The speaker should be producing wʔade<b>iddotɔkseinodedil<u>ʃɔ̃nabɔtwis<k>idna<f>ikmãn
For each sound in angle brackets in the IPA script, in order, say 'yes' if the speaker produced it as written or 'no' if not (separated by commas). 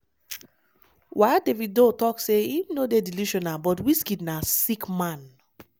no, yes, yes, no